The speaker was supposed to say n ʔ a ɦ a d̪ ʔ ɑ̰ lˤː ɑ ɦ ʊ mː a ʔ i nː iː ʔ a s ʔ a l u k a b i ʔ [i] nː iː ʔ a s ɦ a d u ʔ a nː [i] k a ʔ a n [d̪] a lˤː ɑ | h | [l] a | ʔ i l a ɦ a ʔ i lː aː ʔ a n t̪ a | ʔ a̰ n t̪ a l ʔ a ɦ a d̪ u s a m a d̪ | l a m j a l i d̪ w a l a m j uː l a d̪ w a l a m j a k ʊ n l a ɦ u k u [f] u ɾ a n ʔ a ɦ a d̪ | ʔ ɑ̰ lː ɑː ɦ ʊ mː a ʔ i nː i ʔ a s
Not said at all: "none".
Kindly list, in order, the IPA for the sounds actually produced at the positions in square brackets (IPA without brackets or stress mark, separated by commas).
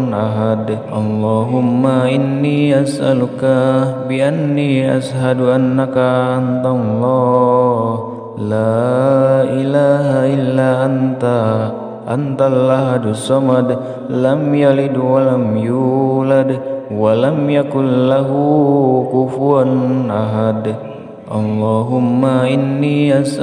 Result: a, a, t̪, l, f